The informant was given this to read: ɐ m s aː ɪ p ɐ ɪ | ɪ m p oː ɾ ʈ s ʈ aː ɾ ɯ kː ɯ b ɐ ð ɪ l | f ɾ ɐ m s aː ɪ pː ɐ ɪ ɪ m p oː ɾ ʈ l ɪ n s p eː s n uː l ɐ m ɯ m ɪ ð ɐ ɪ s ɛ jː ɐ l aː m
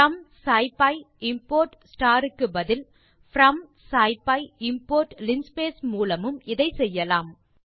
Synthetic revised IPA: ɐ m s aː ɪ p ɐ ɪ | ɪ m p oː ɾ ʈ s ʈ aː ɾ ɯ kː ɯ b ɐ ð ɪ l | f ɾ ɐ m s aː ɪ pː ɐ ɪ ɪ m p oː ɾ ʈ l ɪ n s p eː s m uː l ɐ m ɯ m ɪ ð ɐ ɪ s ɛ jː ɐ l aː m